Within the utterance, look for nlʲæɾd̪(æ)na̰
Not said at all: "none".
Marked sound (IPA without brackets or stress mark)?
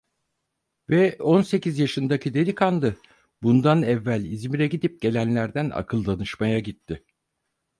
æ